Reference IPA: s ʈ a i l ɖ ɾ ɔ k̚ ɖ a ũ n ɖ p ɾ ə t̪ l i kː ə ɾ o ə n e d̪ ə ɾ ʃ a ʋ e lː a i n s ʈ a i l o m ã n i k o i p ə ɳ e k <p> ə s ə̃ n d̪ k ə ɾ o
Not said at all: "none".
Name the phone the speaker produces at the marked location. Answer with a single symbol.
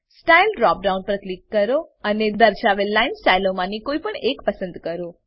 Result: p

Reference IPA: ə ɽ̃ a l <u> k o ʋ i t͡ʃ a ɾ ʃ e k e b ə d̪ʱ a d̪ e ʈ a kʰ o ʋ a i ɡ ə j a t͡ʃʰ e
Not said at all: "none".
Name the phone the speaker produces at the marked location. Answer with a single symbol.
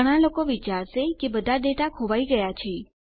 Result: o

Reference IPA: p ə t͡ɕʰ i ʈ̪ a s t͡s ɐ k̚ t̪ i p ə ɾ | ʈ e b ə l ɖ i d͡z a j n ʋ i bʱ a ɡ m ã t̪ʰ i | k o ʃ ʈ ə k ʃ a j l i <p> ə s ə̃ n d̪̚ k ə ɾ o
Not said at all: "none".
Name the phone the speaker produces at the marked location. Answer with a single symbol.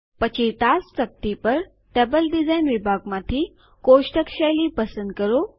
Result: p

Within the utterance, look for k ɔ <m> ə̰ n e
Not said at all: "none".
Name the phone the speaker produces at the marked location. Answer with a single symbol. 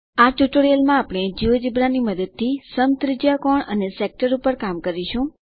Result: ɳ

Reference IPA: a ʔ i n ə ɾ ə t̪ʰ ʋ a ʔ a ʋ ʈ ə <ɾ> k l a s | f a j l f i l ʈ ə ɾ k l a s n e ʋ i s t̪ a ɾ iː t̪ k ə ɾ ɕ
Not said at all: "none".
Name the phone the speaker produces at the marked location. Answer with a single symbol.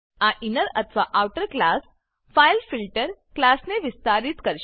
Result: ɾ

